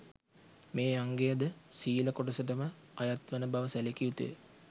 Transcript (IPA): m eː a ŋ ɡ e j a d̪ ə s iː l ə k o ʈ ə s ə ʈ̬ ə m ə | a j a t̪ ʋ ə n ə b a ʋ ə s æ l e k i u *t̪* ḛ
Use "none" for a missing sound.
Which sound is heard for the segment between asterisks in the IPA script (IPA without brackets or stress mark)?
t̪